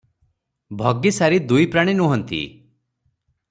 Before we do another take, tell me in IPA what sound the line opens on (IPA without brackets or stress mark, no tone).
bʱ